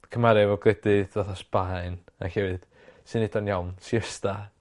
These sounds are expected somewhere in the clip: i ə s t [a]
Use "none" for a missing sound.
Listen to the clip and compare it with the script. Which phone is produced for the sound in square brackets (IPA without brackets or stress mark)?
a